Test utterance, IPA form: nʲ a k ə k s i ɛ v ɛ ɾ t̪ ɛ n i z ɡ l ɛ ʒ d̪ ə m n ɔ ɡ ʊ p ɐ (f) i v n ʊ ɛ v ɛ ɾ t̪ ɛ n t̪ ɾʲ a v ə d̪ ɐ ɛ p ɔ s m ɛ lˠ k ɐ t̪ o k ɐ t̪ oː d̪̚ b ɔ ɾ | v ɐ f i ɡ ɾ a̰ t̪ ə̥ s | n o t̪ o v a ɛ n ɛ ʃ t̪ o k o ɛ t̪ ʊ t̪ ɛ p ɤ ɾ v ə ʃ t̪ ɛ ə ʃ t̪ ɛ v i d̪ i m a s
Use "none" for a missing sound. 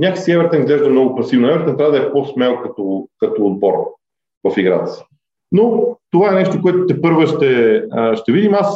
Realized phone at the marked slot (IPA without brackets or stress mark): s